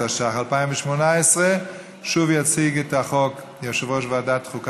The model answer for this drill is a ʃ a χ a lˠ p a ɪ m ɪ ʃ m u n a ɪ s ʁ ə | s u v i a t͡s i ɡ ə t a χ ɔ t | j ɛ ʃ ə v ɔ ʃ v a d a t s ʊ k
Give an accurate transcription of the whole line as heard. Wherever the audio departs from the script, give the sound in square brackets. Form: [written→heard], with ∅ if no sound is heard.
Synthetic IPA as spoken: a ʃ a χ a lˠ p a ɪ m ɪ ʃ m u n a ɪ s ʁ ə | [s→ʃ] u v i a t͡s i ɡ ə t a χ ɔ [t→k] | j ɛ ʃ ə v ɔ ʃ v a d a t [s→χ] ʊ k